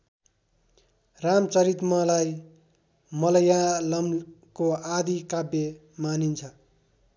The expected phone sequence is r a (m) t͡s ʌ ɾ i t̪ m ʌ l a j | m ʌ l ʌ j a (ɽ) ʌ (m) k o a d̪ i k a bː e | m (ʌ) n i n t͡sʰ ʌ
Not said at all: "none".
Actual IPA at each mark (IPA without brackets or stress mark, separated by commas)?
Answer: m, l, m, a